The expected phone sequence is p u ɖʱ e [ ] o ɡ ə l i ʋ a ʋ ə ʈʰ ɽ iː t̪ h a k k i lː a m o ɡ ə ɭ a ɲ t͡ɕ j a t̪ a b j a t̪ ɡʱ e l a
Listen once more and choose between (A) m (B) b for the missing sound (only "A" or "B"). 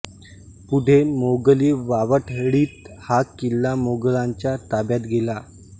A